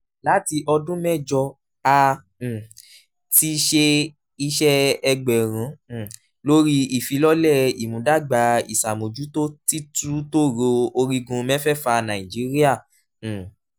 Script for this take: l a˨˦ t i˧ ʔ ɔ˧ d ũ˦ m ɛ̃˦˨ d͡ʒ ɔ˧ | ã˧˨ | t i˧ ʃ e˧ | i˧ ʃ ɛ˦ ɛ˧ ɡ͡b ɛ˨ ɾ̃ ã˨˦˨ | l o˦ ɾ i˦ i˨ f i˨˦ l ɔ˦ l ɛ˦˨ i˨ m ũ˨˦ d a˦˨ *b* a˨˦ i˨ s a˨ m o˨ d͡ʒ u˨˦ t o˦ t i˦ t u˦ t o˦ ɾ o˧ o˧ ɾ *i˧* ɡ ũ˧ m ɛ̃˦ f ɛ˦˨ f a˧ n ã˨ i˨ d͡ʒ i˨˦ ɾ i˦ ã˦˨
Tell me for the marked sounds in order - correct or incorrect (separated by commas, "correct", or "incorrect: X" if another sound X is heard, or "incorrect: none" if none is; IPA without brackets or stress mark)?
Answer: incorrect: ɡ͡b, correct